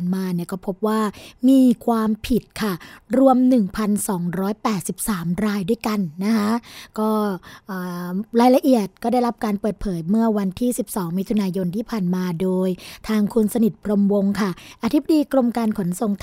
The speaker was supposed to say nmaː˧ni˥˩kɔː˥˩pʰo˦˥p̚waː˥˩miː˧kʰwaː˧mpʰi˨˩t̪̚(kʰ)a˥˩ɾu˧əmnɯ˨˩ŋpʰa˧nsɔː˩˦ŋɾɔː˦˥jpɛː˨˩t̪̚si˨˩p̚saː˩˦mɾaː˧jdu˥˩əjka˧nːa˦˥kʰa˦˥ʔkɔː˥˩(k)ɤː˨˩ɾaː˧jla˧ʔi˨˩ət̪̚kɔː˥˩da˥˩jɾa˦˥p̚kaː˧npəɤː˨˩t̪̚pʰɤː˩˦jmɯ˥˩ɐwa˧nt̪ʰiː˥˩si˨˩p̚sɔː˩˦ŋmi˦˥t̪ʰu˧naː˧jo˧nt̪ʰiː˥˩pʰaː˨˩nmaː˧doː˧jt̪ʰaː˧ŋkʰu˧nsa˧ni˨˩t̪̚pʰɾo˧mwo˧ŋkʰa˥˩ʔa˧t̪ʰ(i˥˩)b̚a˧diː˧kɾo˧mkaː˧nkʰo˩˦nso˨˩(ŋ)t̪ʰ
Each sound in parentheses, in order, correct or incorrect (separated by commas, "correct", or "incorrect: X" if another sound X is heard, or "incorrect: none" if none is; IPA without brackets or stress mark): correct, incorrect: ʔ, incorrect: i˦˥, correct